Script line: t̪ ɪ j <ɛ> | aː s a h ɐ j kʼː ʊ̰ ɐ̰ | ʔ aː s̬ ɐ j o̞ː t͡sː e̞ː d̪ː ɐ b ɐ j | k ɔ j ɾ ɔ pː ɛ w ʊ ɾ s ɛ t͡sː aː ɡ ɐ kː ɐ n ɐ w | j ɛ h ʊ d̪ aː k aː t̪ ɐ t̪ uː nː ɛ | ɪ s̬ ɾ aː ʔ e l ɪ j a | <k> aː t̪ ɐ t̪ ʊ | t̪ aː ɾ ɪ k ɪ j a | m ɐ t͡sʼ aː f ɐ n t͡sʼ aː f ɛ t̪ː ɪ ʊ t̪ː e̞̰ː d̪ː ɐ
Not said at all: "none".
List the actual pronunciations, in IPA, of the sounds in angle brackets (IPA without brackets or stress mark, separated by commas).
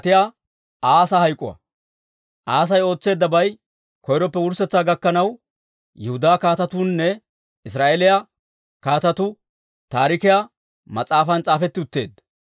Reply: a, k